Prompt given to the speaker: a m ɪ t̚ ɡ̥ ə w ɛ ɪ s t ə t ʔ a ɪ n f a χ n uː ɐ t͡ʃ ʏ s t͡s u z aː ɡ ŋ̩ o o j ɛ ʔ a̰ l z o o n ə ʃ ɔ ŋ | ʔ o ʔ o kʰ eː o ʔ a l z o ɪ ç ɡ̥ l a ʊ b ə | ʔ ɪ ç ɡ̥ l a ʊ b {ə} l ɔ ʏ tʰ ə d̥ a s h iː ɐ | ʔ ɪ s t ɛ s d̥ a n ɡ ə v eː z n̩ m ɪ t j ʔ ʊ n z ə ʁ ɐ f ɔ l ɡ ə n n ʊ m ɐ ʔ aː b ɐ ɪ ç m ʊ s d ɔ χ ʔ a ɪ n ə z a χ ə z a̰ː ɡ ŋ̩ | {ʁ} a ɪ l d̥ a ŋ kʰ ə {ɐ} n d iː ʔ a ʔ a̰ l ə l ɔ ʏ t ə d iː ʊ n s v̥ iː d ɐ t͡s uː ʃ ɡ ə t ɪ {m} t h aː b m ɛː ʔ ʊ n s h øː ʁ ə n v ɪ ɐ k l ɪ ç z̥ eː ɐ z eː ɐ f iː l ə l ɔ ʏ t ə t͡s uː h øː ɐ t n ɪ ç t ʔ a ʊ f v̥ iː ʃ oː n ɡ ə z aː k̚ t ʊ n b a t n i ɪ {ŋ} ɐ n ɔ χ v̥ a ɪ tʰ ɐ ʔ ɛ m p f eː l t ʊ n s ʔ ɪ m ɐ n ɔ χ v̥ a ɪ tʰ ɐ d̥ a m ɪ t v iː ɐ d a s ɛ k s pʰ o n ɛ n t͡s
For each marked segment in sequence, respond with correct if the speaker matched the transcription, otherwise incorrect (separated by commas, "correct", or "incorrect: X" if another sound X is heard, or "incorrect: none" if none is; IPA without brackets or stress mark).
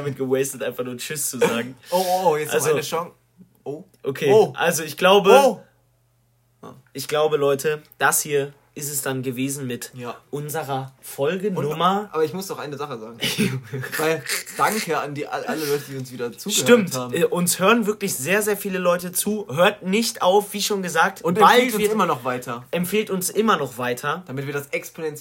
correct, incorrect: v, incorrect: a, correct, incorrect: m